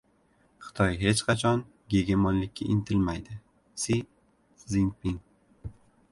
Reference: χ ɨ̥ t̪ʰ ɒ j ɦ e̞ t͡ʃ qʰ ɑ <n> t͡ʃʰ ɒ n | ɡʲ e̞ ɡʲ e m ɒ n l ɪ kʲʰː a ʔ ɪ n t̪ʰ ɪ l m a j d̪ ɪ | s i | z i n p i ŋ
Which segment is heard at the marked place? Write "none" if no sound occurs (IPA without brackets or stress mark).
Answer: none